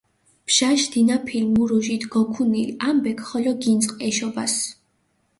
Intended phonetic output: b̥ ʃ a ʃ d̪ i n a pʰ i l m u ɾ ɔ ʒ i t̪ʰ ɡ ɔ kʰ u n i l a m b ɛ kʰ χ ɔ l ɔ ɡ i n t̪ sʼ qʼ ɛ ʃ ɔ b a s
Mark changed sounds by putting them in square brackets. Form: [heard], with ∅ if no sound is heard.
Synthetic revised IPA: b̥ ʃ a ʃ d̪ i n a pʰ i l m u ɾ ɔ ʒ i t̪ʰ ɡ ɔ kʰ u n i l a m b ɛ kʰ χ ɔ l ɔ ɡ i n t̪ sʼ qʼ ɛ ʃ ɔ b a s